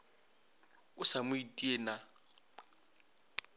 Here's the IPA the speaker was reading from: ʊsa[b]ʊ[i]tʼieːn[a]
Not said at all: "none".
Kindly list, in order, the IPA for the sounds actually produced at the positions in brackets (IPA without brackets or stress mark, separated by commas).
m, i, a